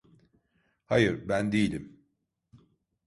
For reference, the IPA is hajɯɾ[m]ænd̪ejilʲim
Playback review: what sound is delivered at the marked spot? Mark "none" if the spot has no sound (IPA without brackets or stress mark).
b